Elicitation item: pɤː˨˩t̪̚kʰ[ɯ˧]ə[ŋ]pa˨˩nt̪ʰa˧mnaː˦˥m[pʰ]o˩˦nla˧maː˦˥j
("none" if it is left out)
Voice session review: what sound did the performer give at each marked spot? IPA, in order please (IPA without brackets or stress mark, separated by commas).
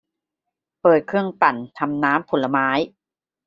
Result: ɯ˥˩, ŋ, pʰ